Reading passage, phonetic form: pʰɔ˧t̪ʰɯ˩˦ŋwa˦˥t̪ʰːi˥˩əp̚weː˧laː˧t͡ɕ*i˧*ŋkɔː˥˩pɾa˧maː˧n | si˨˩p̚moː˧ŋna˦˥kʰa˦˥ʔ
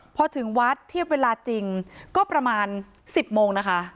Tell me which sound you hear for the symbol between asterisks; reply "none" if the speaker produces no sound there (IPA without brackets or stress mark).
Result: i˧